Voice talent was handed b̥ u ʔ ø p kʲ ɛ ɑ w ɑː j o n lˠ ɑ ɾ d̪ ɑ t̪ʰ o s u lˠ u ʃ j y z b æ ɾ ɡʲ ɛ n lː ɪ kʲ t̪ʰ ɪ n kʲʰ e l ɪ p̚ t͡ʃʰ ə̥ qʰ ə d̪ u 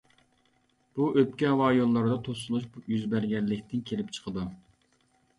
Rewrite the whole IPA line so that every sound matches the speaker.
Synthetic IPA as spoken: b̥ u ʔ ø p kʲ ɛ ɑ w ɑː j o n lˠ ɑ ɾ d̪ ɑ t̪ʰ o s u lˠ u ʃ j y z b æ ɾ ɡʲ ɛ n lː ɪ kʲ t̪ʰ ɪ n kʲʰ e l ɪ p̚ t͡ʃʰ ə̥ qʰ ə d̪ u